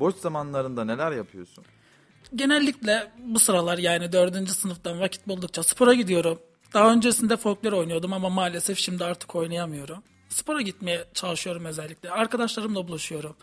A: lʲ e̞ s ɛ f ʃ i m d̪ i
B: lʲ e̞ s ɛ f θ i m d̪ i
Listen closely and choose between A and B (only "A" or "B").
A